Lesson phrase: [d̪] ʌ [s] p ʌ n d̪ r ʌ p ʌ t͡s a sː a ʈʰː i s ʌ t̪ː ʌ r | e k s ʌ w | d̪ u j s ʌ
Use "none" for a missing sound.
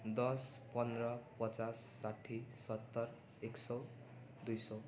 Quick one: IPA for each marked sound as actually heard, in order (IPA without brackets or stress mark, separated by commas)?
d̪, s